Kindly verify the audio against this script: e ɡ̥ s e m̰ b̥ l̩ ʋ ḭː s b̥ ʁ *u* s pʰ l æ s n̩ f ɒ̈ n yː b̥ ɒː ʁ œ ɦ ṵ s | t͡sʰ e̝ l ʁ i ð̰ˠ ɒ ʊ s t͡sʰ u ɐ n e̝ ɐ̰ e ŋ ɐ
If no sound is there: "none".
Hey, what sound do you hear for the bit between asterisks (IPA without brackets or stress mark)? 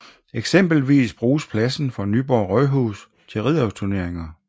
uː